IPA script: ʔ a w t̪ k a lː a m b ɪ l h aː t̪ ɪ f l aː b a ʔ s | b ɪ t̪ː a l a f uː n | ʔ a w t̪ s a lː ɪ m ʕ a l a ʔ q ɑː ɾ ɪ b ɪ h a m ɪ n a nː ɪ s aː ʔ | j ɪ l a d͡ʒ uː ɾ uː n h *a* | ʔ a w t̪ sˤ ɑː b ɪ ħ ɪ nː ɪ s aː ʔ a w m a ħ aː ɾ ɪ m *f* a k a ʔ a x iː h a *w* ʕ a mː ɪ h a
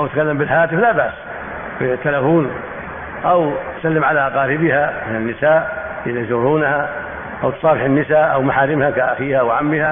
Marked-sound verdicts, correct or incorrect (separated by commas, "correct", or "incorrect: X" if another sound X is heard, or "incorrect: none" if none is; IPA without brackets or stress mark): correct, incorrect: h, correct